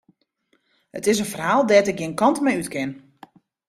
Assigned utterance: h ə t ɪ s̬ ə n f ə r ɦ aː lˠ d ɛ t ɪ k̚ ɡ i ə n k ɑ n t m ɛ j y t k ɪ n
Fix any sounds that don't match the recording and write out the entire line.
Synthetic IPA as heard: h ə t ɪ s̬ ə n f ə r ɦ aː lˠ d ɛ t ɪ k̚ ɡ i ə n k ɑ n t m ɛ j y t k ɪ n